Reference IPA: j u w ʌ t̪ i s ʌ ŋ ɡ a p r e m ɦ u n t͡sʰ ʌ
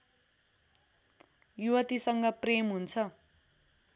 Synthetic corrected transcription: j u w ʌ t̪ i s ʌ ŋ ɡ ʌ p r e m ɦ u n t͡sʰ ʌ